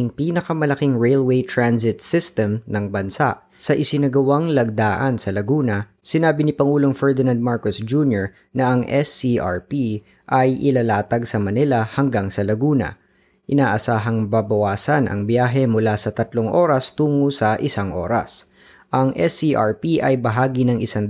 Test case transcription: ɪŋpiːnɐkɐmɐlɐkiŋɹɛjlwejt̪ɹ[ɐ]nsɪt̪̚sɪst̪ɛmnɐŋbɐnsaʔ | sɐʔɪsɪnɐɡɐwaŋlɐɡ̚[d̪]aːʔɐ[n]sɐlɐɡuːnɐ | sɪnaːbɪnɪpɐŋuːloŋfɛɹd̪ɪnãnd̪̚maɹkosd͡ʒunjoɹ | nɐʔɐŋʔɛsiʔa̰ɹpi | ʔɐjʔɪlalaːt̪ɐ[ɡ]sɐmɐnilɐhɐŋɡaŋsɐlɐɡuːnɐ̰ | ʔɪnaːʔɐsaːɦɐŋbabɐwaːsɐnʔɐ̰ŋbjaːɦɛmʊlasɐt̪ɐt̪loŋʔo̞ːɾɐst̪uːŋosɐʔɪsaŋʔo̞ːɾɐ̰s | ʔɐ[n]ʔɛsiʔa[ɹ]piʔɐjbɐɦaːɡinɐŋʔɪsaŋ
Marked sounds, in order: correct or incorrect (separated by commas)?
incorrect, correct, correct, correct, incorrect, correct